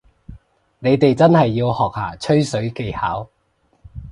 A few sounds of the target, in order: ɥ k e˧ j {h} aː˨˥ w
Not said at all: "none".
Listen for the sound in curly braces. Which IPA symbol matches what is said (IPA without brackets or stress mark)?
h